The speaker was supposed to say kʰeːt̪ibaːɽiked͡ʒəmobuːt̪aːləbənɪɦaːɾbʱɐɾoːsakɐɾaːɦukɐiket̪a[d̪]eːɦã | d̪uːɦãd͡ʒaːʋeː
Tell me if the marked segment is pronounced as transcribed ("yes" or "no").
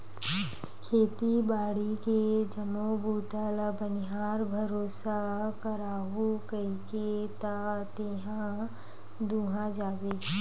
no